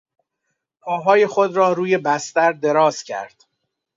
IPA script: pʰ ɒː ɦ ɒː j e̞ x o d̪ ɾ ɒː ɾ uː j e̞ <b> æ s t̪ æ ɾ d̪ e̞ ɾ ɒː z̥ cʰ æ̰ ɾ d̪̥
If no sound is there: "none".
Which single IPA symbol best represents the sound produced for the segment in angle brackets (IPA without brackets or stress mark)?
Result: b